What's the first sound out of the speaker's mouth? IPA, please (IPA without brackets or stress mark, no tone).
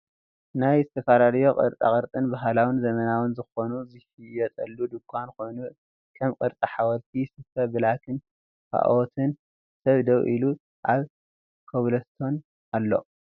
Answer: n